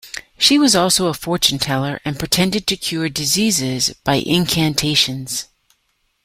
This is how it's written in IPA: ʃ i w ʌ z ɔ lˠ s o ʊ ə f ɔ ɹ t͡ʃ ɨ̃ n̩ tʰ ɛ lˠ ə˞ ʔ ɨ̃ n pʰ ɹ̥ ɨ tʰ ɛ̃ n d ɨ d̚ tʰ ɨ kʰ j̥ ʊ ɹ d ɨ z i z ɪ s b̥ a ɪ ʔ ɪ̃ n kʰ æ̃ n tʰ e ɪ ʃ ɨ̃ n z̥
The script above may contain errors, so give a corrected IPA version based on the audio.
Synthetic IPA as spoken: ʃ i w ʌ z ɔ lˠ s o ʊ ə f ɔ ɹ t͡ʃ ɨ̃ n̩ tʰ ɛ lˠ ə˞ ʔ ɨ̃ n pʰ ɹ̥ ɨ tʰ ɛ̃ n d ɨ d̚ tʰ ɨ kʰ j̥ ʊ ɹ d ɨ z i z ɪ z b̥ a ɪ ʔ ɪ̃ n kʰ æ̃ n tʰ e ɪ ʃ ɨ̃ n z̥